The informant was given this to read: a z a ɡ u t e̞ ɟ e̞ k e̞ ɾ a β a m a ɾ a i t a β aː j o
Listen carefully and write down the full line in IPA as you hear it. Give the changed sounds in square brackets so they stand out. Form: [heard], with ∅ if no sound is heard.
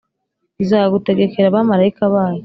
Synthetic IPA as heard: [i] z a ɡ u t e̞ [ɡ] e̞ k e̞ ɾ a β a m a ɾ a i [k] a β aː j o